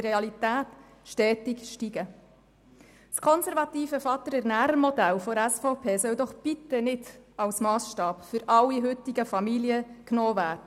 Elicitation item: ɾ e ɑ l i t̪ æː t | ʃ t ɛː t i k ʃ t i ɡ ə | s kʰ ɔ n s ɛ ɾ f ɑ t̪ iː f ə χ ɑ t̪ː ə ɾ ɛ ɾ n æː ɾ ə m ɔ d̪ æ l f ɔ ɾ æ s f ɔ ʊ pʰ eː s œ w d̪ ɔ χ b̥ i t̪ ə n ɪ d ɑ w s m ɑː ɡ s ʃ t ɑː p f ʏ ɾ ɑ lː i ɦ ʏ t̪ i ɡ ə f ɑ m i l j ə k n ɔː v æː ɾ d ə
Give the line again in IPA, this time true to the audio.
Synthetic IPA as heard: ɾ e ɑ l i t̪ æː t | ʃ t ɛː t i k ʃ t i ɡ ə | s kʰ ɔ n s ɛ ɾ v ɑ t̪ iː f ə f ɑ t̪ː ə ɾ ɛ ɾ n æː ɾ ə m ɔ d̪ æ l f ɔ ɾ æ s f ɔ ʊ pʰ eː s œ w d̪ ɔ χ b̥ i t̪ ə n ɪ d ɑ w s m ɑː s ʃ t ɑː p f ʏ ɾ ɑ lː i ɦ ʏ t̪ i ɡ ə f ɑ m i l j ə k n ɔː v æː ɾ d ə